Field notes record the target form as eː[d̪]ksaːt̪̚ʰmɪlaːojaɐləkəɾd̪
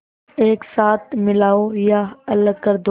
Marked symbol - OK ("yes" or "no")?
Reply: no